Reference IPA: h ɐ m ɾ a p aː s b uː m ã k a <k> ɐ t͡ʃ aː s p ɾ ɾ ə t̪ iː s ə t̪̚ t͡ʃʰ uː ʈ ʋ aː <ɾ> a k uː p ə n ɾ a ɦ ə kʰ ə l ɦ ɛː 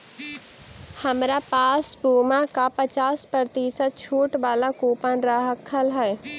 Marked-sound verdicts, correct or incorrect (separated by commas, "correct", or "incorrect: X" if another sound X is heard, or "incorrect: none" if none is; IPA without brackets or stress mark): incorrect: p, incorrect: l